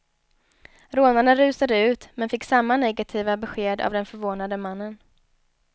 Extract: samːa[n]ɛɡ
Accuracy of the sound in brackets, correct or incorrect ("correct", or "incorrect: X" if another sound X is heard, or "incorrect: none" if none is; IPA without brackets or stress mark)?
correct